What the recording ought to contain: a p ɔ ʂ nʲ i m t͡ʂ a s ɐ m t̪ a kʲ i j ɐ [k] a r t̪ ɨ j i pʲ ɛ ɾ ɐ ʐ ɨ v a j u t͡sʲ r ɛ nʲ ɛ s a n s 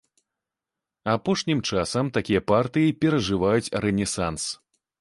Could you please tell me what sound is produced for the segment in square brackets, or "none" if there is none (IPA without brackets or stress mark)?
p